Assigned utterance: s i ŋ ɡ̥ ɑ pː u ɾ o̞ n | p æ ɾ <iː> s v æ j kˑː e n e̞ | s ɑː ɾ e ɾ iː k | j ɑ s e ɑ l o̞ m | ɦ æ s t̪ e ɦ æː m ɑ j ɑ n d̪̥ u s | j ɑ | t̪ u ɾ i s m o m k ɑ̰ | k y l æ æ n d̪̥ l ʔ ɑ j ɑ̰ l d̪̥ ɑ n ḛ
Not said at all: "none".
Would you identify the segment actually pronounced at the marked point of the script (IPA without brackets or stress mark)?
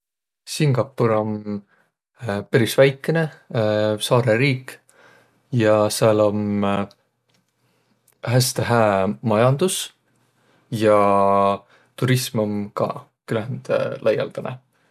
i